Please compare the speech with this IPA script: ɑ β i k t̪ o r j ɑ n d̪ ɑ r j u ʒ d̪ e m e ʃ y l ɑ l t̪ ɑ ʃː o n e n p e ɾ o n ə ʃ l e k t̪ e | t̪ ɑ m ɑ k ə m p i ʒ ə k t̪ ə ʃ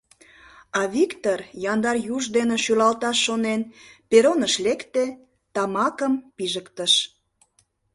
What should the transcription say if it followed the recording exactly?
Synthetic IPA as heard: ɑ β i k t̪ o r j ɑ n d̪ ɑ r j u ʒ d̪ e n e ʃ y l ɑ l t̪ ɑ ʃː o n e n p e ɾ o n ə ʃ l e k t̪ e | t̪ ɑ m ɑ k ə m p i ʒ ə k t̪ ə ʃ